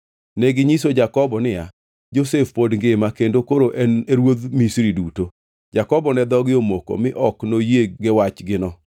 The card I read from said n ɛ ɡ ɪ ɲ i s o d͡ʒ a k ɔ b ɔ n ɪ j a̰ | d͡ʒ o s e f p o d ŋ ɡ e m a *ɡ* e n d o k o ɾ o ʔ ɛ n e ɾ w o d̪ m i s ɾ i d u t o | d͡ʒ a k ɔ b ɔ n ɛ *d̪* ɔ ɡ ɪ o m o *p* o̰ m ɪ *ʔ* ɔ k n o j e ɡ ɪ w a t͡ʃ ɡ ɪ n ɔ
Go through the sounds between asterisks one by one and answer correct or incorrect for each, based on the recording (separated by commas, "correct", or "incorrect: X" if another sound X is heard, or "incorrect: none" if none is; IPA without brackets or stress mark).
incorrect: k, correct, incorrect: k, correct